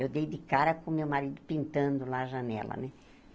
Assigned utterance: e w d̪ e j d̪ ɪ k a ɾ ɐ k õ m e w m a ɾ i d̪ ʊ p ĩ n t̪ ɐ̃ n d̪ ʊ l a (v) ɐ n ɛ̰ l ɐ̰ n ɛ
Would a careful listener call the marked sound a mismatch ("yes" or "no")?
yes